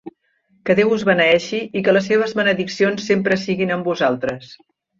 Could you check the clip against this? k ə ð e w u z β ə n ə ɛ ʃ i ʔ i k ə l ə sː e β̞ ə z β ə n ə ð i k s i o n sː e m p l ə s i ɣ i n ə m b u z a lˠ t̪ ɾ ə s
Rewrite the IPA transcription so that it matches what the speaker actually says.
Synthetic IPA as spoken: k ə ð e w u z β ə n ə ɛ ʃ i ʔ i k ə l ə sː e β̞ ə z β ə n ə ð i k s i o n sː e m p ɾ ə s i ɣ i n ə m b u z a lˠ t̪ ɾ ə s